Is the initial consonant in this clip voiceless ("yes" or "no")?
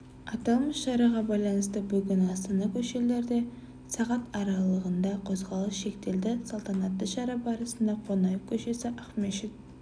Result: yes